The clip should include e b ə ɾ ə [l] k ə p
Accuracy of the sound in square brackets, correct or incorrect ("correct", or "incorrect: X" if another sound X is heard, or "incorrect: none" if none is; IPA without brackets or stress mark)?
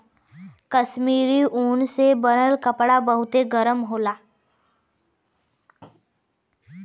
correct